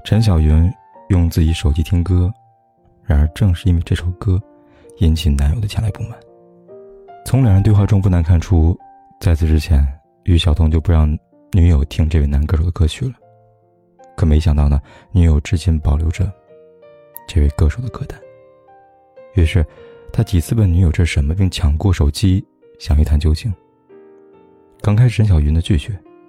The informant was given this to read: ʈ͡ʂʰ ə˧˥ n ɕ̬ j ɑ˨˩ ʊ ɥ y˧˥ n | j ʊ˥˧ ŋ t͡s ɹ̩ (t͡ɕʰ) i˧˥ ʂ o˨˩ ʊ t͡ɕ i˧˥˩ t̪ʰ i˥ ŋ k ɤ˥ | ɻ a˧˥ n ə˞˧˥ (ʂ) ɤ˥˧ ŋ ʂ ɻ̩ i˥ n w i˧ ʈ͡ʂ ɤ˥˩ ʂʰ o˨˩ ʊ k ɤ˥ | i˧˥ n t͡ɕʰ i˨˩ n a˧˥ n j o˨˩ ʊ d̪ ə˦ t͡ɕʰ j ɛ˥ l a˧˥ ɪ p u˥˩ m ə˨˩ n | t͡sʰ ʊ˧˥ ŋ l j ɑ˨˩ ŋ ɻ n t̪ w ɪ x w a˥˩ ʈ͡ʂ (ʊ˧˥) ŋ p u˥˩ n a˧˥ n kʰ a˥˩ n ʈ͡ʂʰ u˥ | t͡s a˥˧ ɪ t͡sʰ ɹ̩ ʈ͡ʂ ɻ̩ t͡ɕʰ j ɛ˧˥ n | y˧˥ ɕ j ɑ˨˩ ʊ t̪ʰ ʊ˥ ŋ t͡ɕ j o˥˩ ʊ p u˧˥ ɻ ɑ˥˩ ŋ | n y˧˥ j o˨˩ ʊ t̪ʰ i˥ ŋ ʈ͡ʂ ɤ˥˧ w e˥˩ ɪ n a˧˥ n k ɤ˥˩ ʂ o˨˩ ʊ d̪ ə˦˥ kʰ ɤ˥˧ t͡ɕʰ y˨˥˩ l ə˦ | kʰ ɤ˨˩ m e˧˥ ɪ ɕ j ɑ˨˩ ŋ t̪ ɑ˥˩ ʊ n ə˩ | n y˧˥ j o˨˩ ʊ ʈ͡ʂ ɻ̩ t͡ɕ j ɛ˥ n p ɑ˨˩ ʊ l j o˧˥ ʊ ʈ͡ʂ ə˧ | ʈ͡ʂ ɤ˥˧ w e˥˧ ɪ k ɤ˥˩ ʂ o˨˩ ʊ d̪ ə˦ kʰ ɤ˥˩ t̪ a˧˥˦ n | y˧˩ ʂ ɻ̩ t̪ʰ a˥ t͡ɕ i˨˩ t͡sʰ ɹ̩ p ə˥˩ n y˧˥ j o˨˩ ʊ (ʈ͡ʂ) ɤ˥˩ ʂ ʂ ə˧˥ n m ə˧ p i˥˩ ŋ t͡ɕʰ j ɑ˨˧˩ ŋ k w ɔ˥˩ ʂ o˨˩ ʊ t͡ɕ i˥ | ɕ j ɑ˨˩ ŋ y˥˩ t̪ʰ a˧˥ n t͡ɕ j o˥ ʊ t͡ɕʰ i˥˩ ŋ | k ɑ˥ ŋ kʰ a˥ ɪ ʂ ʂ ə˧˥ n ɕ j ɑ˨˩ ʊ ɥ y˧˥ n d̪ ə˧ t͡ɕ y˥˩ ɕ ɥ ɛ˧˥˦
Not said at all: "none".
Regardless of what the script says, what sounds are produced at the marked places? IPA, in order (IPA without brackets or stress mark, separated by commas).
t͡ɕ, ʈ͡ʂ, ʊ˥, ʈ͡ʂ